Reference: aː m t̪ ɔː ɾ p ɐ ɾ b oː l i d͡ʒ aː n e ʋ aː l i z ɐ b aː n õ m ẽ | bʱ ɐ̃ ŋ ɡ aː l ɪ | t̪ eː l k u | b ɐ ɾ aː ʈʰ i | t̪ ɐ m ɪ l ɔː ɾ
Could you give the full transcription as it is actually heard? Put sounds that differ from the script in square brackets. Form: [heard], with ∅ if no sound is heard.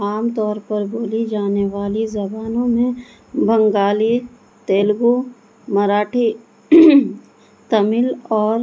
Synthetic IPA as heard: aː m t̪ ɔː ɾ p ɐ ɾ b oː l i d͡ʒ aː n e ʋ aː l i z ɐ b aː n õ m ẽ | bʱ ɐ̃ ŋ ɡ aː l [i] | t̪ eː l [ɡ] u | [m] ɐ ɾ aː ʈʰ i | t̪ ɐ m ɪ l ɔː ɾ